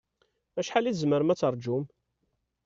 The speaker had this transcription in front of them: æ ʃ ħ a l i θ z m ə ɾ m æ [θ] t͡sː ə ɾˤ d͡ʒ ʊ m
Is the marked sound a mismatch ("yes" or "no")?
yes